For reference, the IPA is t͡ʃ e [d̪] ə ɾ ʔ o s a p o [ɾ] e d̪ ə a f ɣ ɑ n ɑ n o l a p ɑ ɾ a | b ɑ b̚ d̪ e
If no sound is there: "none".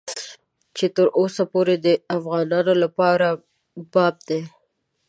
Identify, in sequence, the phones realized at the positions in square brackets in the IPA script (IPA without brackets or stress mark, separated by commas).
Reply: t̪, ɾ